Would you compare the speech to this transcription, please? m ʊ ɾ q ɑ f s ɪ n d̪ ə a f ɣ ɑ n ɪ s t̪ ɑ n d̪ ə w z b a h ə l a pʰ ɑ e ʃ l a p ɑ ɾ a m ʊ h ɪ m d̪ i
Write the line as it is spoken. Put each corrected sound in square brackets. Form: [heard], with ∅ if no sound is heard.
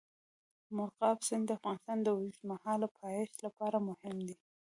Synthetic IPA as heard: m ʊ ɾ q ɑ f s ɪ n d̪ ə a f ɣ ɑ n ɪ s t̪ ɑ n d̪ ə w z [m] a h [ɑ] l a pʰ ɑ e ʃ l a p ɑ ɾ a m ʊ h ɪ m d̪ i